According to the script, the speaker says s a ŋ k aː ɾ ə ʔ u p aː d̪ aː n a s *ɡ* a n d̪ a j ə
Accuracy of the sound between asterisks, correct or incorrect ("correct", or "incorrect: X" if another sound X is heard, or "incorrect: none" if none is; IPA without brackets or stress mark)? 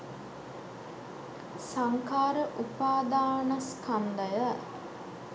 incorrect: k